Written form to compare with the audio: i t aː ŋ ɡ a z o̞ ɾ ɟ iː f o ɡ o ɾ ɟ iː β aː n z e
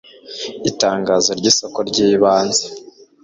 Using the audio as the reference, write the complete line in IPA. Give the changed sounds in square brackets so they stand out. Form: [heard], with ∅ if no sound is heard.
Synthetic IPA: i t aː ŋ ɡ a z o̞ ɾ ɟ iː [s] o [k] o ɾ ɟ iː β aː n z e